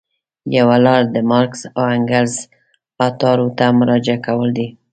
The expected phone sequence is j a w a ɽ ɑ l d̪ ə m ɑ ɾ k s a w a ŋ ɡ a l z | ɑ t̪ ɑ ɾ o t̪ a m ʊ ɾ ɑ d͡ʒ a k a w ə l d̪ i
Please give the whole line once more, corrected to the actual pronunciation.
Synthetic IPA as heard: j a w a l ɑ ɾ d̪ ə m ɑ ɾ k s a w a ŋ ɡ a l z | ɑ t̪ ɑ ɾ o t̪ a m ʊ ɾ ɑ d͡ʒ a k a w ə l d̪ i